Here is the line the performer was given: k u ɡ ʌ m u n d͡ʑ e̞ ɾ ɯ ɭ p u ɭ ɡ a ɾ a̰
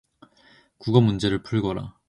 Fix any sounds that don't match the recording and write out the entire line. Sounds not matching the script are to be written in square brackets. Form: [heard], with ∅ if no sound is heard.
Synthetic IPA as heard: k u ɡ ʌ m u n d͡ʑ e̞ ɾ ɯ ɭ [pʰ] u ɭ ɡ [ʌ] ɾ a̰